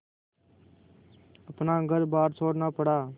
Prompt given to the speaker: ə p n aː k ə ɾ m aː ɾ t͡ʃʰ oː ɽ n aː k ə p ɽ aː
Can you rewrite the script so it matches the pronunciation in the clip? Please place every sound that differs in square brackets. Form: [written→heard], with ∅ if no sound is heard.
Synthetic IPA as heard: ə p n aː [k→ɡ] ə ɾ [m→b] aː ɾ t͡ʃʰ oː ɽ n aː [k→p] ə [p→∅] ɽ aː